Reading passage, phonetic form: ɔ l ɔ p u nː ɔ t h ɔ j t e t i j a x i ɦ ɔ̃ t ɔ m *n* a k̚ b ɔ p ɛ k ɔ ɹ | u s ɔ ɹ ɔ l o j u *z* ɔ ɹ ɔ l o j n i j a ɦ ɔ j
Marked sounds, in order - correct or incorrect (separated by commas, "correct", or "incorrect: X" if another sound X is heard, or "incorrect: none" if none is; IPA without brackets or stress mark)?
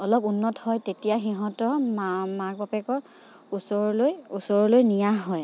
incorrect: m, incorrect: s